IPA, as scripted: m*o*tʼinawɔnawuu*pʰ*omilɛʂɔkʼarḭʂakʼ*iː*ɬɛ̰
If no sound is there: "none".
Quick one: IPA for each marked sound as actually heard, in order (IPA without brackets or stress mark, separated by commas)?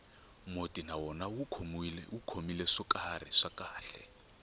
o, kʰ, aː